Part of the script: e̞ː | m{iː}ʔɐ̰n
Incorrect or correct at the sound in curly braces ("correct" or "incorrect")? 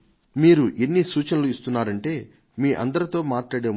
correct